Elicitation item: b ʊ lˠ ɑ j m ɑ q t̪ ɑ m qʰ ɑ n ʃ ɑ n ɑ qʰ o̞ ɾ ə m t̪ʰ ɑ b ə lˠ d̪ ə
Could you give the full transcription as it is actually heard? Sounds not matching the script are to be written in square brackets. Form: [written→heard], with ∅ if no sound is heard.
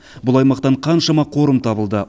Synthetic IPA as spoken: b ʊ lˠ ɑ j m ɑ q t̪ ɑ [m→ɴ] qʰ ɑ n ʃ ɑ [n→m] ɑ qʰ o̞ ɾ ə m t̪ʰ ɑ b ə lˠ d̪ ə